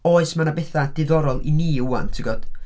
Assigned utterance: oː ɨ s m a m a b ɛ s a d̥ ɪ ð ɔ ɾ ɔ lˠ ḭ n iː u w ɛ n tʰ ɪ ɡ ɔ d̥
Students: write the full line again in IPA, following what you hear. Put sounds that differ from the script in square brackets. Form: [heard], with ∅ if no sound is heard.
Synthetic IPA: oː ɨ s m a [n] a b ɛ [θ] a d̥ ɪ ð ɔ ɾ ɔ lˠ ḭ n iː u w [a] n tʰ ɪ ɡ ɔ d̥